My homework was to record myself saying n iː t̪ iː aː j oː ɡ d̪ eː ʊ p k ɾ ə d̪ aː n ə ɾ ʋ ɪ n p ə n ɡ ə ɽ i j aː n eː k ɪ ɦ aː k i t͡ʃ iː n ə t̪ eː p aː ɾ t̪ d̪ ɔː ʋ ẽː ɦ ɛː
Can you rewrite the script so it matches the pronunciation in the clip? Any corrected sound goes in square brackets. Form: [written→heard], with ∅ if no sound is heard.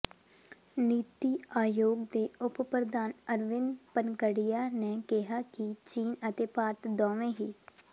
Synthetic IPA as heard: n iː t̪ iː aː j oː ɡ d̪ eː ʊ p [k→p] ɾ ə d̪ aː n ə ɾ ʋ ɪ n p ə n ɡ ə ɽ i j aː n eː k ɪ ɦ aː k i t͡ʃ iː n ə t̪ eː p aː ɾ t̪ d̪ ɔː ʋ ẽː ɦ [ɛː→iː]